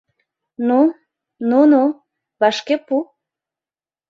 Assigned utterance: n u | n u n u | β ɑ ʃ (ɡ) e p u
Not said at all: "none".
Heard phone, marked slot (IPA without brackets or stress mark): k